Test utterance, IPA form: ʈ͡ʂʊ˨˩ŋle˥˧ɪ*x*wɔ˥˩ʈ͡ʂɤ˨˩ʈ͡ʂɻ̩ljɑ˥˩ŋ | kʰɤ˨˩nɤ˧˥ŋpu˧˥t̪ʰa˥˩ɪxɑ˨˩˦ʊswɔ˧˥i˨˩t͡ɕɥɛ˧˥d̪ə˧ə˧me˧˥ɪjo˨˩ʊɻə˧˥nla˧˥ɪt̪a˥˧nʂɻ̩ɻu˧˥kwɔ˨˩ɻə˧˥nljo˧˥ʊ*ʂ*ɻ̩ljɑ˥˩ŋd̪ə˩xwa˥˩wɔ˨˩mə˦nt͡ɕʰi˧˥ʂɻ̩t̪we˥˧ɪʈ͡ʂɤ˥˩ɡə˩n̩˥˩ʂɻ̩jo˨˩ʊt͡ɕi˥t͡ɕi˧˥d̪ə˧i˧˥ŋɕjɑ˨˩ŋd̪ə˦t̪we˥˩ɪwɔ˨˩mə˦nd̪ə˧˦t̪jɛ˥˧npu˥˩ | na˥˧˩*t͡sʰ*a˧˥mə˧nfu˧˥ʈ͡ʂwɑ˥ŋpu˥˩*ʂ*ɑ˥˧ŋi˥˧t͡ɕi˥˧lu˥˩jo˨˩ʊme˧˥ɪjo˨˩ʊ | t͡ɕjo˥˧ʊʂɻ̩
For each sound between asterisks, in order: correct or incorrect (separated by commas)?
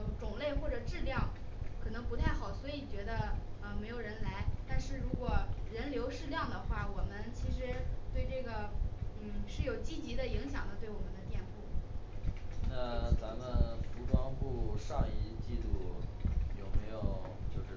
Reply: correct, correct, incorrect, correct